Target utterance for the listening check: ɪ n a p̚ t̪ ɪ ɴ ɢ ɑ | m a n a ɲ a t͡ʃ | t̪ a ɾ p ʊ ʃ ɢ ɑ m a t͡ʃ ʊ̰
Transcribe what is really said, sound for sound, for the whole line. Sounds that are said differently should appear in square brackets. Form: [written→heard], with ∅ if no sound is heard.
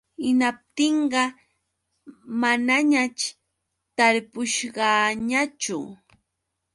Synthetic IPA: ɪ n a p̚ t̪ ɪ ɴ ɢ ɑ | m a n a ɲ a t͡ʃ | t̪ a ɾ p ʊ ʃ ɢ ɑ [m→ɲ] a t͡ʃ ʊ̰